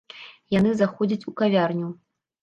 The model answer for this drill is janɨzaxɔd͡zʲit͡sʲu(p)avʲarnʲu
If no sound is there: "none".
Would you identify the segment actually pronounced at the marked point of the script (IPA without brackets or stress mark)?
k